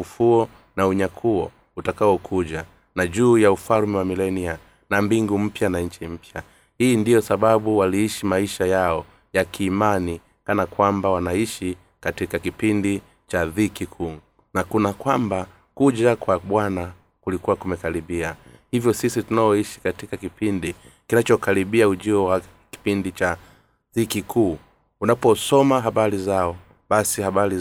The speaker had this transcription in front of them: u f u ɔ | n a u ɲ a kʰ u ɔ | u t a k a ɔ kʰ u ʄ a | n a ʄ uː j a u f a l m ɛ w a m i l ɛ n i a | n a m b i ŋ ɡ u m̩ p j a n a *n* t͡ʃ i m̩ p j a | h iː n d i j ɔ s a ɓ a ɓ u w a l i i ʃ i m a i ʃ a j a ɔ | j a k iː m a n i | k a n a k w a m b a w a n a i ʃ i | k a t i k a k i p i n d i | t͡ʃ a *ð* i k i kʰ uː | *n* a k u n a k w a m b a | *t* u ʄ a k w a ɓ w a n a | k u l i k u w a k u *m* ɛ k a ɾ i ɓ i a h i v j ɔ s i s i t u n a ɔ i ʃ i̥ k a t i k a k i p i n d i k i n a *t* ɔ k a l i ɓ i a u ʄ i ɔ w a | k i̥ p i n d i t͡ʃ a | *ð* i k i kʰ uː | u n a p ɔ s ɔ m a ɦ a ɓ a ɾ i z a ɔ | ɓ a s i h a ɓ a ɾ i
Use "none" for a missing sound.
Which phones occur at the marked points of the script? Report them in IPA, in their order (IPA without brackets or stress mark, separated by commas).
ɲ, ð, n, k, m, t͡ʃ, ð